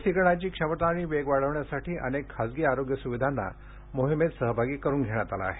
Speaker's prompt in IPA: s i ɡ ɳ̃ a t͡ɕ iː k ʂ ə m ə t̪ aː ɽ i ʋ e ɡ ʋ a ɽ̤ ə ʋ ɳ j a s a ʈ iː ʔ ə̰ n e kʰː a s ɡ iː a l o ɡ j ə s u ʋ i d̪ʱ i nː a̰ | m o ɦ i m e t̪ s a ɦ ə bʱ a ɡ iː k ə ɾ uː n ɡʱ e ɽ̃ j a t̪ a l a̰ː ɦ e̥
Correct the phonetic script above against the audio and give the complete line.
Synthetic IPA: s i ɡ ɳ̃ a t͡ɕ iː k ʂ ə m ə t̪ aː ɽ i ʋ e ɡ ʋ a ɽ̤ ə ʋ ɳ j a s a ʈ iː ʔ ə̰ n e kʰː a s ɡ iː a ɾ o ɡ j ə s u ʋ i d̪ʱ a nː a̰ | m o ɦ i m e t̪ s ə ɦ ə bʱ a ɡ iː k ə ɾ uː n ɡʱ e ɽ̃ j a t̪ a l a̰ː ɦ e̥

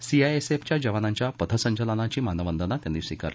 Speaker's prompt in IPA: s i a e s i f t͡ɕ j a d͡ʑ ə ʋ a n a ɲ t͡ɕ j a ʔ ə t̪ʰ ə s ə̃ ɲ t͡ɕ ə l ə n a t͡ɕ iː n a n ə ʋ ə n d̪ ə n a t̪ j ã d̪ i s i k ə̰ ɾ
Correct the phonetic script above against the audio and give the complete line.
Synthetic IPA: s i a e s e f t͡ɕ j a d͡ʑ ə ʋ a n a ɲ t͡ɕ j a p ə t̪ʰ ə s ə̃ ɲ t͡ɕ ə l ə n a t͡ɕ iː m a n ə ʋ ə n d̪ ə n a t̪ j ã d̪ i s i k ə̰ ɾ

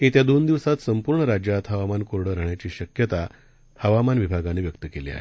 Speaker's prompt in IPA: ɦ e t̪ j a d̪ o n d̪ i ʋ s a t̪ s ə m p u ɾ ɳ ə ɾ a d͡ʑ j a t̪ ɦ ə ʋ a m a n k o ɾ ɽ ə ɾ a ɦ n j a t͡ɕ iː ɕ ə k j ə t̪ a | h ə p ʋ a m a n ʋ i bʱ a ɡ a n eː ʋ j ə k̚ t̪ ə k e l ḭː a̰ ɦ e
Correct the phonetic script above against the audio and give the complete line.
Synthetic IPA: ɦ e t̪ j a d̪ o n d̪ i ʋ s a t̪ s ə m p u ɾ ɳ ə ɾ a d͡ʑ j a t̪ ɦ ə ʋ a m a n k o ɾ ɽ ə ɾ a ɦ ɳ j a t͡ɕ iː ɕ ə k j ə t̪ a | h ə ʋ a m a n ʋ i bʱ a ɡ a n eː ʋ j ə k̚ t̪ ə k e l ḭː a̰ ɦ e

